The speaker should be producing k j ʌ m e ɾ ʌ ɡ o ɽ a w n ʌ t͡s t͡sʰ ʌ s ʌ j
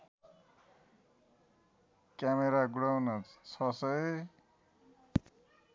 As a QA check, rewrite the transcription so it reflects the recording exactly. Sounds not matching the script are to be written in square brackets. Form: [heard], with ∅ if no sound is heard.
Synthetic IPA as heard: k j [a] m e ɾ [a] ɡ [u] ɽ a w n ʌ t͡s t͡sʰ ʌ s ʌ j